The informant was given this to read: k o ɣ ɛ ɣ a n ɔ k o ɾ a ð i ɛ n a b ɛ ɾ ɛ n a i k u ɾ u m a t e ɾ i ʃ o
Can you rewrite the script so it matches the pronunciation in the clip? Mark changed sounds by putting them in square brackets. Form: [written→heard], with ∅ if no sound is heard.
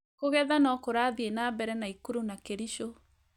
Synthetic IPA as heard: k o ɣ ɛ [ɣ→ð] a n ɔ k o ɾ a ð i [ɛ→e] n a b ɛ ɾ ɛ n a i k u ɾ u [m→n] a [t→k] e ɾ i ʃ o